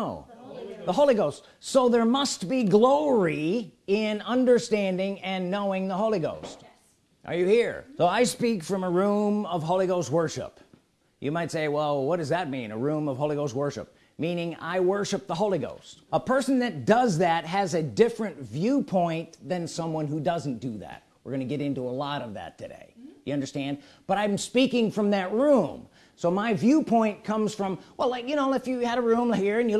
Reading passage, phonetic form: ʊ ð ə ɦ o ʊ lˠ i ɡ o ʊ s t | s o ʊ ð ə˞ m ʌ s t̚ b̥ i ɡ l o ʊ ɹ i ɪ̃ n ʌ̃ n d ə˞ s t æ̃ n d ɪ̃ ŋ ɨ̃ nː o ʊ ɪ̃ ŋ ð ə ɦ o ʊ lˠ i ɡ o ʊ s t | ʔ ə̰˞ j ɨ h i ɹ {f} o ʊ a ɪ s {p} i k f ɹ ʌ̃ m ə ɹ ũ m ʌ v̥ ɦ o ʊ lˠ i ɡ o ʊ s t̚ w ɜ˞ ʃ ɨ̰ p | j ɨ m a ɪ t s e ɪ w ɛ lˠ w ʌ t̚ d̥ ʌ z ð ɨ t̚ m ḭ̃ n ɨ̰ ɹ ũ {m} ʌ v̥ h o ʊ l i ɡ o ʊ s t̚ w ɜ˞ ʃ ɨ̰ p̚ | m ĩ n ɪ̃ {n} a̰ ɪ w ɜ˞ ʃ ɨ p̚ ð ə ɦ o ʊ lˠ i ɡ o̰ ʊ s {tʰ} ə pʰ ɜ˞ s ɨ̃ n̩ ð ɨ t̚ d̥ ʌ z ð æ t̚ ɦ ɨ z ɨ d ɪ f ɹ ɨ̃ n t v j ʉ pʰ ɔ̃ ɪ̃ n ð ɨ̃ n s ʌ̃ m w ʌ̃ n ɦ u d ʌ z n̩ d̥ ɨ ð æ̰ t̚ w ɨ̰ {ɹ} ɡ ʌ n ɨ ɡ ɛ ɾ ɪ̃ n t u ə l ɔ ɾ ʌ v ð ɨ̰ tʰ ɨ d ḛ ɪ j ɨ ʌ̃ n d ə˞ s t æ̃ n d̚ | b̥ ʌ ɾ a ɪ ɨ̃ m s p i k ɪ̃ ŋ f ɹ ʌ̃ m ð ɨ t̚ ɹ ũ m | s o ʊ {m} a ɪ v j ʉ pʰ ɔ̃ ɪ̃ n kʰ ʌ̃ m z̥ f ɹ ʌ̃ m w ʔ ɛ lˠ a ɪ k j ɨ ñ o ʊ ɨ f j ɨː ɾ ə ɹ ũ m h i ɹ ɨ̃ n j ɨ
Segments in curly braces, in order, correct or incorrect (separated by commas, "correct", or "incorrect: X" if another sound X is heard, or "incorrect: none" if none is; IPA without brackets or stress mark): incorrect: s, correct, correct, incorrect: ŋ, incorrect: t, correct, correct